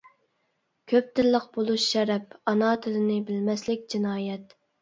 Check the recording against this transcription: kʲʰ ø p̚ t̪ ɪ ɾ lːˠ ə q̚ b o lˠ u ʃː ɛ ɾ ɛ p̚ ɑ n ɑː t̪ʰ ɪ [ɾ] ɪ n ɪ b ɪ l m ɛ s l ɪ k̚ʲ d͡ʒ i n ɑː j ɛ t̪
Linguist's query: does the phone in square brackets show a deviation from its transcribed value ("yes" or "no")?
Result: yes